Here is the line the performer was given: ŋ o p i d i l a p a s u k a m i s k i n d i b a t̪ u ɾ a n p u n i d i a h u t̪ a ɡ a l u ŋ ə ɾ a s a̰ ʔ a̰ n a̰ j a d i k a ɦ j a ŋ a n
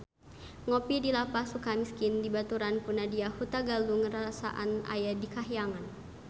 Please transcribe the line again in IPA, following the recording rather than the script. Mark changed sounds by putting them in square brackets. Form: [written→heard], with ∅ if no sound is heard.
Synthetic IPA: ŋ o p i d i l a p a s u k a m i s k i n d i b a t̪ u ɾ a n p u n [i→a] d i a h u t̪ a ɡ a l u ŋ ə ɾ a s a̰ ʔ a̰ n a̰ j a d i k a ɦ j a ŋ a n